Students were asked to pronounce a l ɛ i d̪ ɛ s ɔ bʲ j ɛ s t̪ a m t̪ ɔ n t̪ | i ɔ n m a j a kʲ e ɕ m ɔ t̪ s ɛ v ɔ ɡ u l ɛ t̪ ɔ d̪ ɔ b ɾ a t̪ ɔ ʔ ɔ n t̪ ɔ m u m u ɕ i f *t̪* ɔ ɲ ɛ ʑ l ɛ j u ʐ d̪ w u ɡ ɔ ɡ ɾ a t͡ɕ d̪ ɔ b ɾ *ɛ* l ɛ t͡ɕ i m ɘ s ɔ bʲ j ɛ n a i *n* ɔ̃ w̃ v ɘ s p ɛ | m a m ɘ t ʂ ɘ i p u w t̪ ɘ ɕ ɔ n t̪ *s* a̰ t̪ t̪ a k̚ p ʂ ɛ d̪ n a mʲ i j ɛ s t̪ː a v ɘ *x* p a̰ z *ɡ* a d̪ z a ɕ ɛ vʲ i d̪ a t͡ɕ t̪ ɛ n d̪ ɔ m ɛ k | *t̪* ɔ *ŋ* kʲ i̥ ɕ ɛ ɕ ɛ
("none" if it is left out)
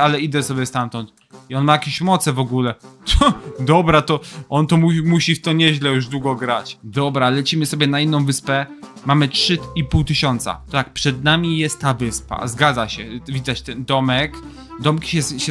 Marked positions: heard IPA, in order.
t̪, a, nː, s, s, ɡ, d̪, m

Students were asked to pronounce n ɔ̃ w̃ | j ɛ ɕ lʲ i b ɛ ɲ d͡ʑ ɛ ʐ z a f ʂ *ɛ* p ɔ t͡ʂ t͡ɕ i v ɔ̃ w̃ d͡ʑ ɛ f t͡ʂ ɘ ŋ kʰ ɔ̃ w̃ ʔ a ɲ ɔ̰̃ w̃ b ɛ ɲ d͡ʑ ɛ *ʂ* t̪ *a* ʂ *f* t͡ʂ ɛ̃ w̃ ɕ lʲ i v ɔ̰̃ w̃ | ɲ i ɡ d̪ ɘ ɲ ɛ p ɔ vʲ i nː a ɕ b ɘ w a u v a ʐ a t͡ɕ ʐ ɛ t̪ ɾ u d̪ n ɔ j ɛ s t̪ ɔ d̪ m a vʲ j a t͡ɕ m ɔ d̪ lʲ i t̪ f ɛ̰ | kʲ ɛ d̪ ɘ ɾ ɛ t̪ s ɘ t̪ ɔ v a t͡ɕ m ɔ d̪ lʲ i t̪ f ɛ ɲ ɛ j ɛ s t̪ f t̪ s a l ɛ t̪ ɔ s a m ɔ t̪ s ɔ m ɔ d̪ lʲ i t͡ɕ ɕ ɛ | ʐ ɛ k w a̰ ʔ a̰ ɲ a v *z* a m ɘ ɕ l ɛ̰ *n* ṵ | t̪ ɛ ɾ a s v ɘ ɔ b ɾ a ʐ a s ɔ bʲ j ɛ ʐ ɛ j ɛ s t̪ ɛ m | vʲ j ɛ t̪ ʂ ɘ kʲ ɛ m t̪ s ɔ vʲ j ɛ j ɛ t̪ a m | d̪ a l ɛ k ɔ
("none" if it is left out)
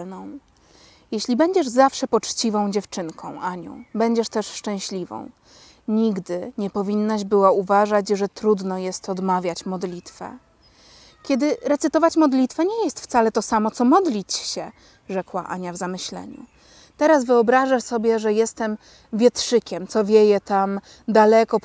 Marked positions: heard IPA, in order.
ɛ, ʂ, ɛ, ʂ, z, ɲ

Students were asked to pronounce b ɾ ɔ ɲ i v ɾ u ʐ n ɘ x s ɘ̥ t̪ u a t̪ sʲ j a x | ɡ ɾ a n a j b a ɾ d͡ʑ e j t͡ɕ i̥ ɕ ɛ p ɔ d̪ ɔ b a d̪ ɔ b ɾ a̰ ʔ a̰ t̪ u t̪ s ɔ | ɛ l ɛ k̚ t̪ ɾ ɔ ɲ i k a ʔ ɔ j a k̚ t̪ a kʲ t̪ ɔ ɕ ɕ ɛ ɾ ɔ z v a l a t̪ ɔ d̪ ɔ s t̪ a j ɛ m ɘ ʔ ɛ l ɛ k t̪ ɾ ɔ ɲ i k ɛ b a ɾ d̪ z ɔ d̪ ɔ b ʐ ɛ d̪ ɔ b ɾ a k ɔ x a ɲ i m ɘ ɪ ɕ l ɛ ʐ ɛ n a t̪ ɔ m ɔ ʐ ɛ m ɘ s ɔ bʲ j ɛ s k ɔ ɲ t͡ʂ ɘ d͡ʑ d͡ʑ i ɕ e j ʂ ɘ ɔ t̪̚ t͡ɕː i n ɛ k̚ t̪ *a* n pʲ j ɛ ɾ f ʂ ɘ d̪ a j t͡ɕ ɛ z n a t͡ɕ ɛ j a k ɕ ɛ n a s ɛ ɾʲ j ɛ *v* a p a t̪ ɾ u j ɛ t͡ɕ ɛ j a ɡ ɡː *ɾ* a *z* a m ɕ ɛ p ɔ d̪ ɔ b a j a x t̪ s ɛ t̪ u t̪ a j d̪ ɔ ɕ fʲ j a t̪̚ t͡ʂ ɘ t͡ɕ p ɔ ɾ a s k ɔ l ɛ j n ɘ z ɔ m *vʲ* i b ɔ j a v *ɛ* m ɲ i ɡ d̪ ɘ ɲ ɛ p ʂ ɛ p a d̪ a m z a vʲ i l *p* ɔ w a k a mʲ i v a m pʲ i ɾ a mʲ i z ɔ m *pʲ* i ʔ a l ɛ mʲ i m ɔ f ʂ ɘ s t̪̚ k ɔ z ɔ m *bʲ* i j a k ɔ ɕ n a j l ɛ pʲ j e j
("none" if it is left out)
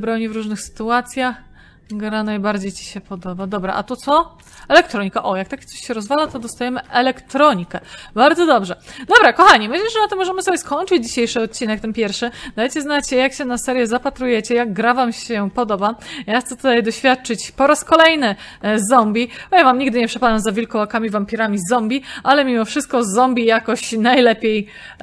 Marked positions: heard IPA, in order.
ɛ, z, ɾ, v, bʲ, a, k, bʲ, bʲ

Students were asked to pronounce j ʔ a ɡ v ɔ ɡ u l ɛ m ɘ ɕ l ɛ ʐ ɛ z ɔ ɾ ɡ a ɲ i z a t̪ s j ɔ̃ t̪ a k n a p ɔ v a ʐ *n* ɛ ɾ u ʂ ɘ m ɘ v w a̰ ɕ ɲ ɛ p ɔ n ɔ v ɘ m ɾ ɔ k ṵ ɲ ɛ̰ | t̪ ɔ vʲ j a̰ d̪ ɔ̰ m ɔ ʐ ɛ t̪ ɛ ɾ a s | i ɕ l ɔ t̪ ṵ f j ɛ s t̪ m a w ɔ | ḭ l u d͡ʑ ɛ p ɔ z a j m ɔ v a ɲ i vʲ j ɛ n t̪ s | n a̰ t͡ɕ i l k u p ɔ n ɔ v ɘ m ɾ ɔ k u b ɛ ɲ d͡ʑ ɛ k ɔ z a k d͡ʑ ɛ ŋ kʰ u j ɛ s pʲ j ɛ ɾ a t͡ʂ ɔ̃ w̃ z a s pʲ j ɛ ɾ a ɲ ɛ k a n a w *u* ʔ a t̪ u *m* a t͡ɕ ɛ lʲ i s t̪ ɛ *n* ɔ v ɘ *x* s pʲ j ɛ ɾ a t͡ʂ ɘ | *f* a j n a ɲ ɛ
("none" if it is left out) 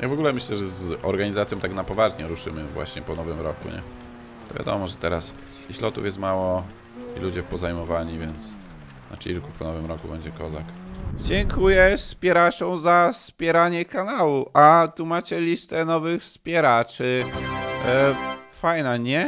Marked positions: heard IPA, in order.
ɲ, u, m, n, x, f

